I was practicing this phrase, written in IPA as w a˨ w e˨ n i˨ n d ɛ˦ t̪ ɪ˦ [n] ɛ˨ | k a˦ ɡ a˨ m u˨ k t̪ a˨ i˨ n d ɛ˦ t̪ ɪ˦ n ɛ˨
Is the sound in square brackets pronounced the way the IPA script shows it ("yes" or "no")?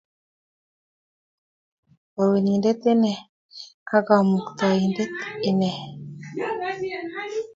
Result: yes